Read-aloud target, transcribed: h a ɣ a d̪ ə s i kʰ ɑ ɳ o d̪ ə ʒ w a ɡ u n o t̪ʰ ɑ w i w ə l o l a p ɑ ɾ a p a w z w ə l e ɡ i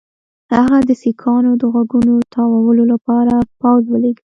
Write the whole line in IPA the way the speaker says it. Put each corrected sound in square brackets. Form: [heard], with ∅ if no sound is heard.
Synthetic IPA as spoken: h a ɣ a d̪ ə s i kʰ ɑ [n] o d̪ ə [ɣ] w a ɡ u n o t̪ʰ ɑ w [a] w ə l o l a p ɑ ɾ a p a w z w ə l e ɡ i